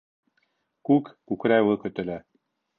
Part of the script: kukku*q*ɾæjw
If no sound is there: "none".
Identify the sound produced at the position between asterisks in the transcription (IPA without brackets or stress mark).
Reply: k